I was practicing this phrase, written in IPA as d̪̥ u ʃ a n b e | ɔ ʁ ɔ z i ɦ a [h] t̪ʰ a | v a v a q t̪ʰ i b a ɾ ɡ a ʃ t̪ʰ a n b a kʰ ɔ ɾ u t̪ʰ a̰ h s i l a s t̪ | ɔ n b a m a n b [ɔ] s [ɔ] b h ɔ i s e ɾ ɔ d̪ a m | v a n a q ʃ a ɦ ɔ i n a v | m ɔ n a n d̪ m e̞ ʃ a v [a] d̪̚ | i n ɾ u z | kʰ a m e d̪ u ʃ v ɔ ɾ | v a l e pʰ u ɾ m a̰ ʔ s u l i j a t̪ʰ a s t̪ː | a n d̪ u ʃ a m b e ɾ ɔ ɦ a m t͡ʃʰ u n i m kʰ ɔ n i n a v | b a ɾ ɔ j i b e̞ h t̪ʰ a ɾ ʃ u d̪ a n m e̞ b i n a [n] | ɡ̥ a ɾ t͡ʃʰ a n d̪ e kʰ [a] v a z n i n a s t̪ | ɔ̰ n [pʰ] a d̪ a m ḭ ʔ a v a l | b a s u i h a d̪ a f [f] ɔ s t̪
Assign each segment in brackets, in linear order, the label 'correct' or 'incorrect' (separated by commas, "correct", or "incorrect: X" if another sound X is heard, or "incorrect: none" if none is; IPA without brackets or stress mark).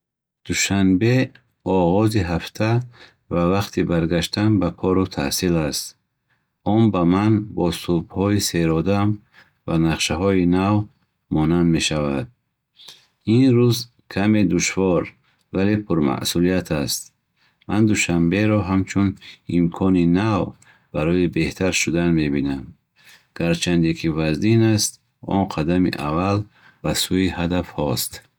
incorrect: f, correct, incorrect: u, correct, incorrect: m, incorrect: i, incorrect: qʰ, incorrect: h